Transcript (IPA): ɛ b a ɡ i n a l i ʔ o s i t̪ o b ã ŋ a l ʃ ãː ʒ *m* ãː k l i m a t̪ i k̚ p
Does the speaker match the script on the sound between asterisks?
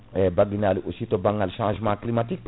yes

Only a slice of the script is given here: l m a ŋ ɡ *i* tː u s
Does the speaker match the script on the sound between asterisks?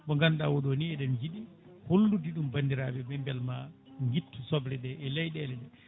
yes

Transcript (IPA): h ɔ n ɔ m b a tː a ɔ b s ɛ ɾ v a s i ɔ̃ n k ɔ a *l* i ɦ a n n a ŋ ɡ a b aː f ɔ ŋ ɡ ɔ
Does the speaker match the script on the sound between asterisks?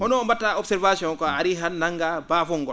no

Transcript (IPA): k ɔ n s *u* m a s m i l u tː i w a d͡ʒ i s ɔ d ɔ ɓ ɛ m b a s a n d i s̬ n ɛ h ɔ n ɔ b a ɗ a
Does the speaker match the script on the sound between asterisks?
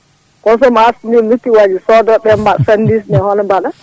no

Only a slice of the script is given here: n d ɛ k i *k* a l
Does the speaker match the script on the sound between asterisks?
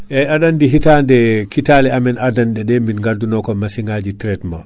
no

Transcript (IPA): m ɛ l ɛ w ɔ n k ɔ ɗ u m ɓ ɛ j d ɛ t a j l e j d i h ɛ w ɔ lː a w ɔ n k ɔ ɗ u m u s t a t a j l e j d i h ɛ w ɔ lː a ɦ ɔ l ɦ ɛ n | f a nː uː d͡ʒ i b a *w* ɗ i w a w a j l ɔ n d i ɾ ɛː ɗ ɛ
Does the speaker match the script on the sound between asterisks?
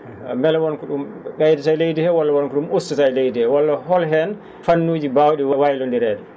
yes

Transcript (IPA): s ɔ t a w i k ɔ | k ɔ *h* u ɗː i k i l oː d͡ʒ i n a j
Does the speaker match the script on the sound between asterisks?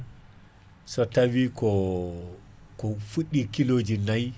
no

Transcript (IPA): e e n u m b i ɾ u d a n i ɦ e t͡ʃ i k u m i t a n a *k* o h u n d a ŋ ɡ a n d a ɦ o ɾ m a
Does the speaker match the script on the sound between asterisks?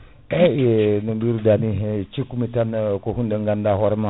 yes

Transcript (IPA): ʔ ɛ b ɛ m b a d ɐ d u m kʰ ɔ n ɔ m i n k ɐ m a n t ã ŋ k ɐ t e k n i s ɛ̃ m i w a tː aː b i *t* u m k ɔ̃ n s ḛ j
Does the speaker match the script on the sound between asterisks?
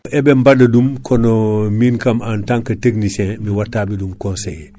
no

